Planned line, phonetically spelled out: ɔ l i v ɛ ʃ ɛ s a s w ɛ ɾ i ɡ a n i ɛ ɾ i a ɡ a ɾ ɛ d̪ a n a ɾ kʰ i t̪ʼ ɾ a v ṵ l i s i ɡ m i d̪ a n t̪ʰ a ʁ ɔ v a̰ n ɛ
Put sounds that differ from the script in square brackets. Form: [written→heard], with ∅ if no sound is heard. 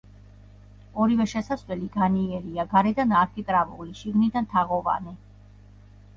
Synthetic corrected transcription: ɔ [l→ɾ] i v ɛ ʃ ɛ s a s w ɛ [ɾ→l] i ɡ a n i ɛ ɾ i a ɡ a ɾ ɛ d̪ a n a ɾ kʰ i t̪ʼ ɾ a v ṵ l i [s→ʃ] i ɡ [m→n] i d̪ a n t̪ʰ a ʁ ɔ v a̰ n ɛ